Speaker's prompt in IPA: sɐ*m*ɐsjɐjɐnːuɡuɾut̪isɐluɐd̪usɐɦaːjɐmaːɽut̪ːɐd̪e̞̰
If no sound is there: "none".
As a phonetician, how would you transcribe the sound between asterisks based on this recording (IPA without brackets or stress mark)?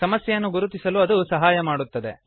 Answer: m